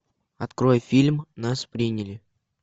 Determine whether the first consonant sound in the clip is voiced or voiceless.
voiceless